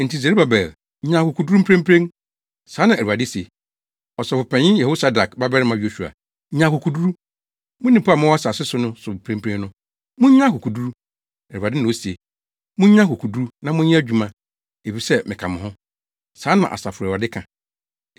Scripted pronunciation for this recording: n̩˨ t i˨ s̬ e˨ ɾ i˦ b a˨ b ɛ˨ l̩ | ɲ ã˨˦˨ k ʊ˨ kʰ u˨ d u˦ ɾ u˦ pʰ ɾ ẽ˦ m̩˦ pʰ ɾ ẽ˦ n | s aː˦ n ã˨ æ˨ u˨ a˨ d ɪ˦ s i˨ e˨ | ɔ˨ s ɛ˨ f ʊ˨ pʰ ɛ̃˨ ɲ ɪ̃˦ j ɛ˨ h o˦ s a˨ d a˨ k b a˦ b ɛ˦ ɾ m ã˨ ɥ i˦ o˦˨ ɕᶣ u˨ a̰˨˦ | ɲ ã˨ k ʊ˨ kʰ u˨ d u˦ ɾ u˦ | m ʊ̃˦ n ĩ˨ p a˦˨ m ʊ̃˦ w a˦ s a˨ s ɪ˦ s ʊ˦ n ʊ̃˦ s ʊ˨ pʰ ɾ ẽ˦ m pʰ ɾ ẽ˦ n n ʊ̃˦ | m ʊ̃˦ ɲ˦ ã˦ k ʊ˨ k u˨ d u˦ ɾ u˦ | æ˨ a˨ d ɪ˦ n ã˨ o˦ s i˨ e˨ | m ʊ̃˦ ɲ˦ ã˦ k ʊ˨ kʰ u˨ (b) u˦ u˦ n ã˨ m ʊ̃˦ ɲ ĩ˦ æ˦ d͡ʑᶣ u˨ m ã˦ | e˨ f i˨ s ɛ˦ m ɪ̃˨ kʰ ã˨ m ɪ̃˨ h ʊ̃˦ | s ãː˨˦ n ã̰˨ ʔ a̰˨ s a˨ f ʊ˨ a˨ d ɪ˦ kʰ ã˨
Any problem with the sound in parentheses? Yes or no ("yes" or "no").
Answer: yes